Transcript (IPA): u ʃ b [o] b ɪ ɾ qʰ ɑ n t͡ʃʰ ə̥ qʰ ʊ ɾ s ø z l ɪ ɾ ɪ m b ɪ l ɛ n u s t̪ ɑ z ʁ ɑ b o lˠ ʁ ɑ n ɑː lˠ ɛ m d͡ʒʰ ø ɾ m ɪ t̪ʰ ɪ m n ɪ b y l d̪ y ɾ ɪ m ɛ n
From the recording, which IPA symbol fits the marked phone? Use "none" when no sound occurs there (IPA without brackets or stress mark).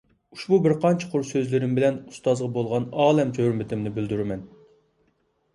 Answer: u